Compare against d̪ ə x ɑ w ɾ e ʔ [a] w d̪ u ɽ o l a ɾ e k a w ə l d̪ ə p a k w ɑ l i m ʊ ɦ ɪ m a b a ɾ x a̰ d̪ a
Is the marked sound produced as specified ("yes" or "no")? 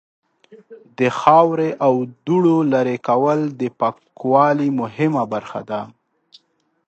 yes